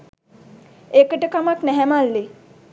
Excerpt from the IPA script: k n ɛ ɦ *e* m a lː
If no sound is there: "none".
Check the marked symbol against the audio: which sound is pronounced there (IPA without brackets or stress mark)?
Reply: ɛ